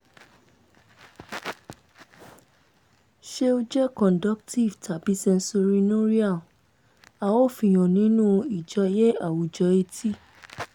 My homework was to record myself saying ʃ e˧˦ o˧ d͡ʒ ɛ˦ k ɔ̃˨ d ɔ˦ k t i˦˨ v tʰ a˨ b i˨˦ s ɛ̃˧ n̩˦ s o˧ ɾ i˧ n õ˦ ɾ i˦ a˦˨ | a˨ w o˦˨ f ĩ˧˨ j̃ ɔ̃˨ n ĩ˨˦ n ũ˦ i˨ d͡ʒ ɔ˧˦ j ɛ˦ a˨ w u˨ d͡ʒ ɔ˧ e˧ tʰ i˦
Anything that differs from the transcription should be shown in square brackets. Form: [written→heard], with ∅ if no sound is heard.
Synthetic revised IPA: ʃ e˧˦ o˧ d͡ʒ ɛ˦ k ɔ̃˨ d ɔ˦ k t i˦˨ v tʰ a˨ b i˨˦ s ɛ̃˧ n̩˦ s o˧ ɾ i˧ n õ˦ ɾ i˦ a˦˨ | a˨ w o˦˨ f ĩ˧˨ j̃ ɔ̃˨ n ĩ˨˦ n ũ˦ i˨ d͡ʒ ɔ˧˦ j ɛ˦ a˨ w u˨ d͡ʒ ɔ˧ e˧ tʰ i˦